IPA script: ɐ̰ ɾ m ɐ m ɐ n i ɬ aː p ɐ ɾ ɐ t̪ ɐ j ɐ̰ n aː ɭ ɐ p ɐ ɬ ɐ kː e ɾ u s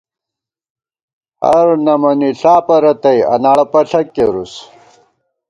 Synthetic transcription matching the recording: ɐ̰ ɾ n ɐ m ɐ n i ɬ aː p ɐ ɾ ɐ t̪ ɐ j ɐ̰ n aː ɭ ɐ p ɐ ɬ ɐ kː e ɾ u s